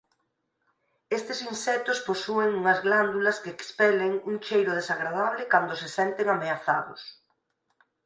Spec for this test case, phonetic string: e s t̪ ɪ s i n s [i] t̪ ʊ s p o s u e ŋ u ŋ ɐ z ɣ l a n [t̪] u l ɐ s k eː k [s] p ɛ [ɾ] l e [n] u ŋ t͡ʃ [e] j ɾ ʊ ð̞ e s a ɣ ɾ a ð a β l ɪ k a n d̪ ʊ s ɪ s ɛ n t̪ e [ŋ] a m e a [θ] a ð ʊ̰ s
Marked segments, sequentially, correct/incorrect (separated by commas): incorrect, incorrect, correct, incorrect, incorrect, correct, correct, correct